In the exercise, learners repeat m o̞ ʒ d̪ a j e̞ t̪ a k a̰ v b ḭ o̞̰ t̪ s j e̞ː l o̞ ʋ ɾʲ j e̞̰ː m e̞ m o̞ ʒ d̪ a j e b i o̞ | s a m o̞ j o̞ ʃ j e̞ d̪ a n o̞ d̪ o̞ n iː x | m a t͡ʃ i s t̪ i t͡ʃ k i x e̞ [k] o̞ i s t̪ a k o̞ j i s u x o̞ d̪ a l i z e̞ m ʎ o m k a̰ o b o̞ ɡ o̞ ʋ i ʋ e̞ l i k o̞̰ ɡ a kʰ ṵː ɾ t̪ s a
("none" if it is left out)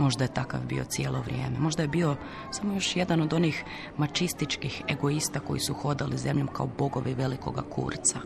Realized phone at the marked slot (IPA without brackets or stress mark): ɡ